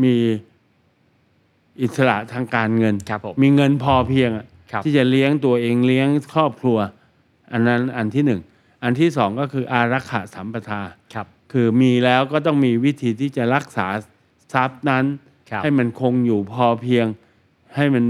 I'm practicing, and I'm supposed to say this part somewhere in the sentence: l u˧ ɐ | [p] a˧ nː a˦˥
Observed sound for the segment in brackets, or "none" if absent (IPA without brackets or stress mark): ʔ